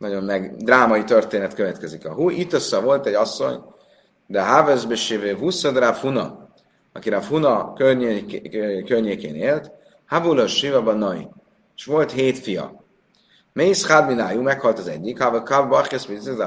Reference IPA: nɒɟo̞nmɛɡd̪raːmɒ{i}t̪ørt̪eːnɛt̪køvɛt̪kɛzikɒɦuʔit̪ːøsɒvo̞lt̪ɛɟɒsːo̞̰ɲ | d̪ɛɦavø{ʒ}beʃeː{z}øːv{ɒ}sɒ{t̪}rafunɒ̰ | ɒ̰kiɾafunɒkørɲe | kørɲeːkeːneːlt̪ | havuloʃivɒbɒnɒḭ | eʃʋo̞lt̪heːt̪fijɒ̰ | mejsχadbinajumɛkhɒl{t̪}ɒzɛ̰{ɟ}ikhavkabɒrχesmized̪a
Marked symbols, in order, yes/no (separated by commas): yes, no, no, no, no, yes, no